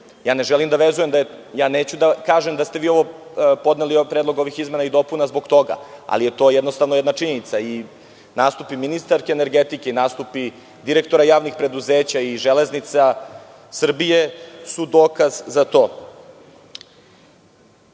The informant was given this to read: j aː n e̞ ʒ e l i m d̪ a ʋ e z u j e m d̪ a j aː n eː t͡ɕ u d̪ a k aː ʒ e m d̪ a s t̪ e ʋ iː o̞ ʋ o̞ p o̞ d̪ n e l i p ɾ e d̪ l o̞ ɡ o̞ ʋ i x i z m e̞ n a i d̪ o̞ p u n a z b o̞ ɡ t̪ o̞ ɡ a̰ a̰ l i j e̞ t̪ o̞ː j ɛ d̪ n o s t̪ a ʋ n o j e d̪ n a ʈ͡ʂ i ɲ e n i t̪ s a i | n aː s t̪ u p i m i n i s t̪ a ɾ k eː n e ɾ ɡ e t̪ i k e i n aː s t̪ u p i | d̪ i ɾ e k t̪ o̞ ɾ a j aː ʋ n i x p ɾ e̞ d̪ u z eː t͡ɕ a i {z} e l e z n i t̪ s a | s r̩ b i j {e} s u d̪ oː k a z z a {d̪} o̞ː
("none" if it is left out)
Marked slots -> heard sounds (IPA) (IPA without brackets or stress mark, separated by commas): ʒ, e, t̪